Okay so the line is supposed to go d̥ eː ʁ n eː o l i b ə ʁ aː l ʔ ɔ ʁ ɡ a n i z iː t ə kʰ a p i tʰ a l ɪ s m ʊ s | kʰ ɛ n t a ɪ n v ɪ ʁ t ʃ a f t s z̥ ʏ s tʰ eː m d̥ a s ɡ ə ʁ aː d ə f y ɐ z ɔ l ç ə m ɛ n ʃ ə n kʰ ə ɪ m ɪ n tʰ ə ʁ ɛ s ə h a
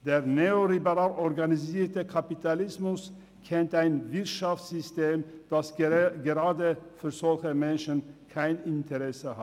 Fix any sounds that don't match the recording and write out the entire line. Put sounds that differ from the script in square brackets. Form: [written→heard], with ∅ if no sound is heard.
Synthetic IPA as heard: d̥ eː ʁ n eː o l i b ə ʁ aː l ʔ ɔ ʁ ɡ a n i z iː t ə kʰ a p i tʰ a l ɪ s m ʊ s | kʰ ɛ n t a ɪ n v ɪ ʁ t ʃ a f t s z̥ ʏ s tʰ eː m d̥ a s ɡ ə ʁ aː d ə f [y→yː] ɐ z ɔ l ç ə m ɛ n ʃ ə n kʰ [ə→a] ɪ [m→n] ɪ n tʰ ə ʁ ɛ s ə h a